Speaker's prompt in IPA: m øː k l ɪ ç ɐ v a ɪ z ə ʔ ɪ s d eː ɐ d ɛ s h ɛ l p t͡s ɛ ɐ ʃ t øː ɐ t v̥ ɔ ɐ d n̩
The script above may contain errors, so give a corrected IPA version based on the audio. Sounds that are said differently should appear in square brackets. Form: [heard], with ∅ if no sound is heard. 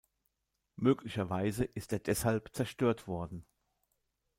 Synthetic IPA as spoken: m øː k l ɪ ç ɐ v a ɪ z ə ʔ ɪ s [t] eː ɐ d ɛ s h [a] l p t͡s ɛ ɐ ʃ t øː ɐ t v̥ ɔ ɐ d n̩